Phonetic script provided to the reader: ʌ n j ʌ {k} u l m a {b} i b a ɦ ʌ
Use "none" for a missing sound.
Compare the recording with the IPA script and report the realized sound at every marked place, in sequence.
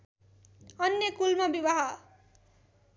k, b

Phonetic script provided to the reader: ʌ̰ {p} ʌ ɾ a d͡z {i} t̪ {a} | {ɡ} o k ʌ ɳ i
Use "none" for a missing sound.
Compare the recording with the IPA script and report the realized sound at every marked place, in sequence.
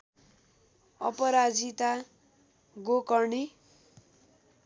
p, i, a, ɡ

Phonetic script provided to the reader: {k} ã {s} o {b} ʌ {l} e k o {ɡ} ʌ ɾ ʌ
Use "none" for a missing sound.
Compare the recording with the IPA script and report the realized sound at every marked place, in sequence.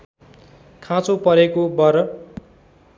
kʰ, t͡s, p, ɾ, b

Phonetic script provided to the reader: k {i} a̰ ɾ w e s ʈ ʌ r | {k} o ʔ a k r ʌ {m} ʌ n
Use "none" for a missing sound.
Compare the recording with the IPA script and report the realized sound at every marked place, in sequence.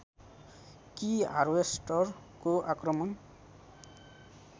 i, k, m

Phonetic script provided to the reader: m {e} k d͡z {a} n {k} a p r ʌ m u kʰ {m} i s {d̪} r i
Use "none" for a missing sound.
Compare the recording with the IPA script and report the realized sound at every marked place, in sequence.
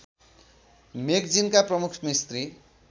e, i, k, m, t̪

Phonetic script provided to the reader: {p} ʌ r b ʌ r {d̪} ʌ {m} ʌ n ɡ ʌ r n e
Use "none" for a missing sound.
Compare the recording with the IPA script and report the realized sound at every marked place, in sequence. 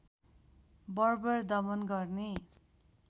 b, d̪, m

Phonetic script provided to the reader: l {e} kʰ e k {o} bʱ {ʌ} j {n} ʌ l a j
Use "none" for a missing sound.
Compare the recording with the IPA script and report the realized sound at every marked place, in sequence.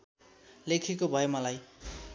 e, o, ʌ, m

